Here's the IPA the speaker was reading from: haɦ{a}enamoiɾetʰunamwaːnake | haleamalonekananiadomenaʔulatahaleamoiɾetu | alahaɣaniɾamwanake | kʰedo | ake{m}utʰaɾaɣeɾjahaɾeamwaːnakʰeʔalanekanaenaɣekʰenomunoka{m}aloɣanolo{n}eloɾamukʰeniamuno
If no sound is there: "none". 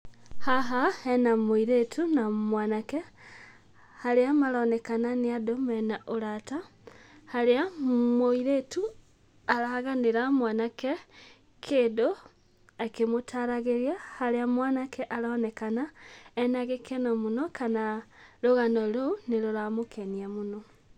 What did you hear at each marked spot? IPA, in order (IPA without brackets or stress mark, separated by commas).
a, m, n, n